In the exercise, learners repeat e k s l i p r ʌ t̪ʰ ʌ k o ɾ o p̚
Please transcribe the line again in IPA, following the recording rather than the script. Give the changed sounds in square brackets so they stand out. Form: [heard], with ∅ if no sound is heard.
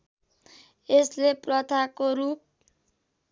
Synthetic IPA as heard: e [∅] s l [e] p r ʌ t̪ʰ [a] k o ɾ [u] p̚